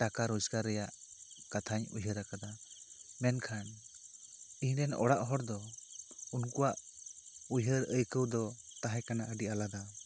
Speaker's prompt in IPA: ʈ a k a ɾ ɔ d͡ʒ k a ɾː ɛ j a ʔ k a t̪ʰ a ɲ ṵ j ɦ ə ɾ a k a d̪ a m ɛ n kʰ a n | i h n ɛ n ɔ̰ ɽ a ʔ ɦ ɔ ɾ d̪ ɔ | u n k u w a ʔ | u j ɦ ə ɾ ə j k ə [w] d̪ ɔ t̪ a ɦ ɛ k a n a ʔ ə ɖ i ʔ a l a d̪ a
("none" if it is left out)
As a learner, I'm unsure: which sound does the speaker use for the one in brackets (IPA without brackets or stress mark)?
w